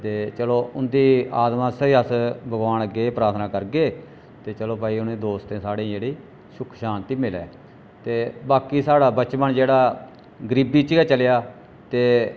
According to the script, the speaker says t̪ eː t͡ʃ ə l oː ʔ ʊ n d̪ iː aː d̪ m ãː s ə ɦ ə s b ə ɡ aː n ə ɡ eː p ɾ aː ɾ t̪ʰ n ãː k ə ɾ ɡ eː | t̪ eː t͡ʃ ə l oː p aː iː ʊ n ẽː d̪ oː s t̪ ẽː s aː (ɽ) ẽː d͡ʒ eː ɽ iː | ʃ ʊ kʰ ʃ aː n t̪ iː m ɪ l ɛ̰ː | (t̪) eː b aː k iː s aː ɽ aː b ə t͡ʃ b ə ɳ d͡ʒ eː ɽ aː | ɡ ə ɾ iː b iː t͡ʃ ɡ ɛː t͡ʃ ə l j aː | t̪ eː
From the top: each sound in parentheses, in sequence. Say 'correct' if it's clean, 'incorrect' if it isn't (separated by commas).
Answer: correct, correct